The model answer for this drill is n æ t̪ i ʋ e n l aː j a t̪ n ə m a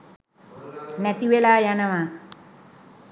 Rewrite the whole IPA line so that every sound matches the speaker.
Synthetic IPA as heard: n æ t̪ i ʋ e l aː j a n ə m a